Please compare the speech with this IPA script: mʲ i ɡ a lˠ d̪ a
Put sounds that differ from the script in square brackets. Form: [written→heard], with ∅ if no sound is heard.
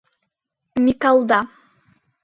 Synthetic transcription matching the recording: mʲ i [ɡ→k] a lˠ d̪ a